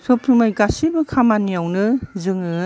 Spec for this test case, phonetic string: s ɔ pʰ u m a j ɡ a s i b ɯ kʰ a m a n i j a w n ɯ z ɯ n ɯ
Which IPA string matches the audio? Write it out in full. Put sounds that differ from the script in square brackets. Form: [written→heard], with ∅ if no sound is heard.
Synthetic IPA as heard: s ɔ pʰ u m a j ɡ a s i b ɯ kʰ a m a n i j a w n ɯ z ɯ [n→ŋ] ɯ

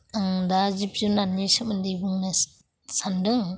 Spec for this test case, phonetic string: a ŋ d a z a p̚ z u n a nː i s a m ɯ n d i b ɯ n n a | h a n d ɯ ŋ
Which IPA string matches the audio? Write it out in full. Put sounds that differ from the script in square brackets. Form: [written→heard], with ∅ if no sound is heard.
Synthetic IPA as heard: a ŋ d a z [a→i] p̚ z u n a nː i s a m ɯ n d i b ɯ [n→ŋ] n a | [h→s] a n d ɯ ŋ

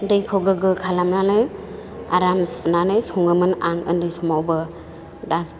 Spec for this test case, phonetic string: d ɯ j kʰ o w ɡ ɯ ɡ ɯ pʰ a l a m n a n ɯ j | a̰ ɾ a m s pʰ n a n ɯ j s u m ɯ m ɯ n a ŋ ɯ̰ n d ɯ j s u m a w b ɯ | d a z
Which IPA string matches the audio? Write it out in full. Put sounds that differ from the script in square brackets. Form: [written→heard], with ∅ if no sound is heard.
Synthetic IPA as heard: d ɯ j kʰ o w ɡ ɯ ɡ ɯ [pʰ→kʰ] a l a m n a n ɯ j | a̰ ɾ a m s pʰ n a n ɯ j s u [m→ŋ] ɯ m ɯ n a ŋ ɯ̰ n d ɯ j s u m a w b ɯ | d a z

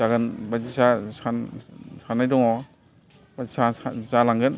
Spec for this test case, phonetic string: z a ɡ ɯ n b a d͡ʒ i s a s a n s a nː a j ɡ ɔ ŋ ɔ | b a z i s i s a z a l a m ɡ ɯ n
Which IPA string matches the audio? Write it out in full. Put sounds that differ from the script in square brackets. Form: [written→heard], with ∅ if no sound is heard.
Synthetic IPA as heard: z a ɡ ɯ n b a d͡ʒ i s a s a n s a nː a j [ɡ→d] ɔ ŋ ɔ | b a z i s [i→a] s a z a l a [m→ŋ] ɡ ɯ n

